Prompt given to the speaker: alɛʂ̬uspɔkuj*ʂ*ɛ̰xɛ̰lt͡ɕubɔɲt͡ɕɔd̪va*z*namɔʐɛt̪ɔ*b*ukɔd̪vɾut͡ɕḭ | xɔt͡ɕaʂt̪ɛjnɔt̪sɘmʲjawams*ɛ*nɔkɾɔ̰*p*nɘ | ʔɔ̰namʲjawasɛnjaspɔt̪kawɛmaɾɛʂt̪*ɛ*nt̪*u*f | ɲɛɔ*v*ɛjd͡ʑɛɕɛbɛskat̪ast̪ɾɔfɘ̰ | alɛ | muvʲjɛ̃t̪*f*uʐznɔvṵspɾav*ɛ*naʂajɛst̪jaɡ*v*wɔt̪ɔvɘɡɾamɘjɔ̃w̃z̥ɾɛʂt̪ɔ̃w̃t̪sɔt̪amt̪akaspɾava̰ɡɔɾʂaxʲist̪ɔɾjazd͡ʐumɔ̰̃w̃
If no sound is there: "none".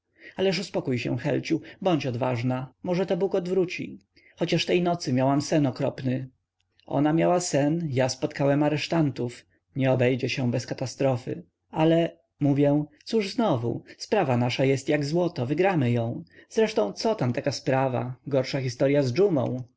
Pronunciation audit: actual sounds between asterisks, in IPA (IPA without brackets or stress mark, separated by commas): ɕ, ʐ, b, ɛ, p, a, u, b, s, a, z